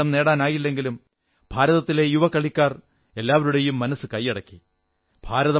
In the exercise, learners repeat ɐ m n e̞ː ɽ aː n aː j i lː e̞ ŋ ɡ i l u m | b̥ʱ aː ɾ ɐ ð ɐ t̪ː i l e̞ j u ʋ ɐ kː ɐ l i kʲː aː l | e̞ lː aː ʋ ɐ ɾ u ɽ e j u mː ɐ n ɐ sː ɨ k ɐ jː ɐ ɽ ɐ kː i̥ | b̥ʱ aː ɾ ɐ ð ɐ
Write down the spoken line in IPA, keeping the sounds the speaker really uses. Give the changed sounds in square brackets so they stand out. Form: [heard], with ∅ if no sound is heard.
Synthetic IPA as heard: ɐ m n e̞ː ɽ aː n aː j i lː e̞ ŋ ɡ i l u m | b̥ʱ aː ɾ ɐ ð ɐ t̪ː i l e̞ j u ʋ ɐ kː ɐ [ɭ] i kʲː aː [r] | e̞ lː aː ʋ ɐ ɾ u ɽ e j u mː ɐ n ɐ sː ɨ k ɐ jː ɐ ɽ ɐ kː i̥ | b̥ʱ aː ɾ ɐ ð ɐ